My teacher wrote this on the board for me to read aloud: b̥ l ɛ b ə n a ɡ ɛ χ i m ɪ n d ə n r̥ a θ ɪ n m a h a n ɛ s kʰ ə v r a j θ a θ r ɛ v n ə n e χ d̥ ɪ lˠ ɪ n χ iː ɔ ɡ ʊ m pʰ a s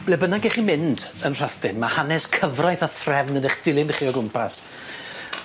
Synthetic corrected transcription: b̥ l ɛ b ə n a ɡ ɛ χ i m ɪ n d ə n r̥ a θ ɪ n m a h a n ɛ s kʰ ə v r a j θ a θ r ɛ v n ə n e χ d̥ ɪ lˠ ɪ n χ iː ɔ ɡ ʊ m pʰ a s